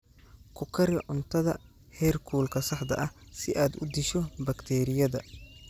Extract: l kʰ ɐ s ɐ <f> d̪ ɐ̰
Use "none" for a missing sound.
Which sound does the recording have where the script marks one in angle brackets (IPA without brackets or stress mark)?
ħ